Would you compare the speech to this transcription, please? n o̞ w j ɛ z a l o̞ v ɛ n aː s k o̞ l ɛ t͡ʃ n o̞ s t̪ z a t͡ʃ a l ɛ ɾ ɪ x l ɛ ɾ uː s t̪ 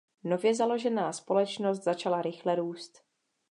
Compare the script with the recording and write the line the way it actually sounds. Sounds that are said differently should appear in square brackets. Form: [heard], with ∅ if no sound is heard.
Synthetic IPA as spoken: n o̞ [v] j ɛ z a l o̞ [ʒ] ɛ n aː s [p] o̞ l ɛ t͡ʃ n o̞ s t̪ z a t͡ʃ a l [a] ɾ ɪ x l ɛ ɾ uː s t̪